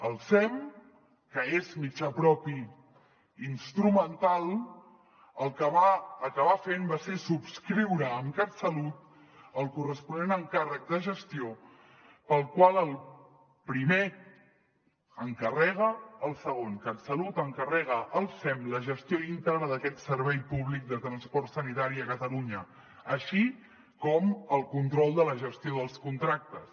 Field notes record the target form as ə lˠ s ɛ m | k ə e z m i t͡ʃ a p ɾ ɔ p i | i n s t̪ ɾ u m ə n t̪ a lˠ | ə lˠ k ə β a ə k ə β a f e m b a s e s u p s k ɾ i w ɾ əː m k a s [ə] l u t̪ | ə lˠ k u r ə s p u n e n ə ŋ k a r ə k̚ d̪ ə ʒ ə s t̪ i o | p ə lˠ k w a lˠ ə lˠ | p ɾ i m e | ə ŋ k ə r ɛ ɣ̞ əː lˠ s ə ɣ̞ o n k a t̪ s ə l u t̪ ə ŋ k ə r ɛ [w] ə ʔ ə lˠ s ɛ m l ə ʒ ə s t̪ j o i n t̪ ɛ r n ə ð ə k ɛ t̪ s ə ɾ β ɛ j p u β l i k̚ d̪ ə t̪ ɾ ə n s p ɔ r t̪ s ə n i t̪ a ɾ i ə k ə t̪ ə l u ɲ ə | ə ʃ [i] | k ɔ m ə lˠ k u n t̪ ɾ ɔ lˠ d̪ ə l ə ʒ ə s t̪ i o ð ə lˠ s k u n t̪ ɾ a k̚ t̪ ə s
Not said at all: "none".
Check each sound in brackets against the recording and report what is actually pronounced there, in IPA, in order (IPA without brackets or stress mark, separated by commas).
ə, ɣ, i